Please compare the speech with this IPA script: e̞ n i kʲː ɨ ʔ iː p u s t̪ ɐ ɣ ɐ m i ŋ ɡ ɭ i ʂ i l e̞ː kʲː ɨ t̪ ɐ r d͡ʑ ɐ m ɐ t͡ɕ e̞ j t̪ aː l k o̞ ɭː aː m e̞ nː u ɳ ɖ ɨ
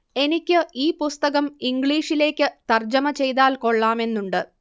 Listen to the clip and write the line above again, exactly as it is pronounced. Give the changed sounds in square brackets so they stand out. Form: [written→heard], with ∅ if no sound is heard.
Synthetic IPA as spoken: e̞ n i kʲː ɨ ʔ iː p u s t̪ ɐ ɣ ɐ m i ŋ ɡ ɭ [i→iː] ʂ i l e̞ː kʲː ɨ t̪ ɐ r d͡ʑ ɐ m ɐ t͡ɕ e̞ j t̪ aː l k o̞ ɭː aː m e̞ nː u ɳ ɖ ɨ